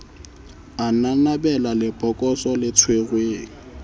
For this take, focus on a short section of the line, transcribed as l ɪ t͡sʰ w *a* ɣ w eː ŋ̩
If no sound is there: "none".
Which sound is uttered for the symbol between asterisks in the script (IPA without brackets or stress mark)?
e